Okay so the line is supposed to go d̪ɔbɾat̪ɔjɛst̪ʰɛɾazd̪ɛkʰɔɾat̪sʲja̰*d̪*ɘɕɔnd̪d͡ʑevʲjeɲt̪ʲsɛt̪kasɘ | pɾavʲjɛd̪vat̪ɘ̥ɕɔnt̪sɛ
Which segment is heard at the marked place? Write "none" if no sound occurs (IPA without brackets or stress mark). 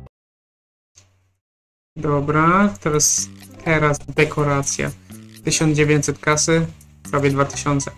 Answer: t̪